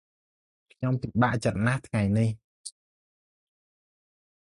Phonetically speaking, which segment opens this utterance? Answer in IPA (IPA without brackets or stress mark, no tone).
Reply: kʰ